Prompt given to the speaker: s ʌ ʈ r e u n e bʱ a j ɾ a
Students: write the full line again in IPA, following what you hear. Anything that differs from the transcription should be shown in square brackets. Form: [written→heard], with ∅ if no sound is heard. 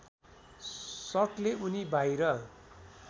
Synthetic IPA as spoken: s ʌ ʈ [r→l] e u n [e→i] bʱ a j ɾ [a→ʌ]

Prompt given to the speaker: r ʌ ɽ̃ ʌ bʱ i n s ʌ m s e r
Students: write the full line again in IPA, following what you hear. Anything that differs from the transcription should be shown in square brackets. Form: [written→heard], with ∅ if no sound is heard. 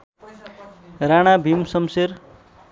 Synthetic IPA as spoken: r [ʌ→a] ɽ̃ [ʌ→a] bʱ i [n→m] s ʌ m s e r

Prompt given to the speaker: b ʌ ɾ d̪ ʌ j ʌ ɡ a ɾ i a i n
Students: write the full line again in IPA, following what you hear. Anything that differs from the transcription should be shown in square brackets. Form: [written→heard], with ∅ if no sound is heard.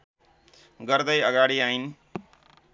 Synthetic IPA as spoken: [b→ɡ] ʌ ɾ d̪ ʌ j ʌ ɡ a [ɾ→ɽ] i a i n

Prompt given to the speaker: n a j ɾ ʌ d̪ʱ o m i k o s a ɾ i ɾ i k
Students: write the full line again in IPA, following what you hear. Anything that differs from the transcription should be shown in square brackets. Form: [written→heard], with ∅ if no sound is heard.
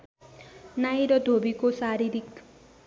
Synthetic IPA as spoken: n a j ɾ ʌ d̪ʱ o [m→b] i k o s a ɾ i ɾ i k

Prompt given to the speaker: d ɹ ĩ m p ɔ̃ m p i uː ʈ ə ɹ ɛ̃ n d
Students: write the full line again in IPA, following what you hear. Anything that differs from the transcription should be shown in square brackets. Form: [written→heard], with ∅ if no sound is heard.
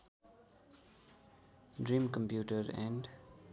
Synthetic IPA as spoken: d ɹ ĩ m [p→k] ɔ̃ m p [i→j] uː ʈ ə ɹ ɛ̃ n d

